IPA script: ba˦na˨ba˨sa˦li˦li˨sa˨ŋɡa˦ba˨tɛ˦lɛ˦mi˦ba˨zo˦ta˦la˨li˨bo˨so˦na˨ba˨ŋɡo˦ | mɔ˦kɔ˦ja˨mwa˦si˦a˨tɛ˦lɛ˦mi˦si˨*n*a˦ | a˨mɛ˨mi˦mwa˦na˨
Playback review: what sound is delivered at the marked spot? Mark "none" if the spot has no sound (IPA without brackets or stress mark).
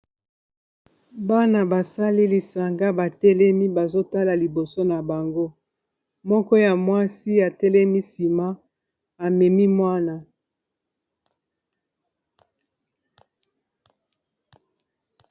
m